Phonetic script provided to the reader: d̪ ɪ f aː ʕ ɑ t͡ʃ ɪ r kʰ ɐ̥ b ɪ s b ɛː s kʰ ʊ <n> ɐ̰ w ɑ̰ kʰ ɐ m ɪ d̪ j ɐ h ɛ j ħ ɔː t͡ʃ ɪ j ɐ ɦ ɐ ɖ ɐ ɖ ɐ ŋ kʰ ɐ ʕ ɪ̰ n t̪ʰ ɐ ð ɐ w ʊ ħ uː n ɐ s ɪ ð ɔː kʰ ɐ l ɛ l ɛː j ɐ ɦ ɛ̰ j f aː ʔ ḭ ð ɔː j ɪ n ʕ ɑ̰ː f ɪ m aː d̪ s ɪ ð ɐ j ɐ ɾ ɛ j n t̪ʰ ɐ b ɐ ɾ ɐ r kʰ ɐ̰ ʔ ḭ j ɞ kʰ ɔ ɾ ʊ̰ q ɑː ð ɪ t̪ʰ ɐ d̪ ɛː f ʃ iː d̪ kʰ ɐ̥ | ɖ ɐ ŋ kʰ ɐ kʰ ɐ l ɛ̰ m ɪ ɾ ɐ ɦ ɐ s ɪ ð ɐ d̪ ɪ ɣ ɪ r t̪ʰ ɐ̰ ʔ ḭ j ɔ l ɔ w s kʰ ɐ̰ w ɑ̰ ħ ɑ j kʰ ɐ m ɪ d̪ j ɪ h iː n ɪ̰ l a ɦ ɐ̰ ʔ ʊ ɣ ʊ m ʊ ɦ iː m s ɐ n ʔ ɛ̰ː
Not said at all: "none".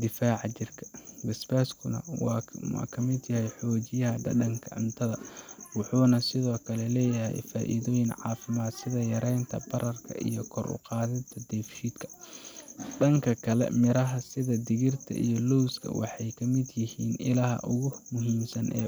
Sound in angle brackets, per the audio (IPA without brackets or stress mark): n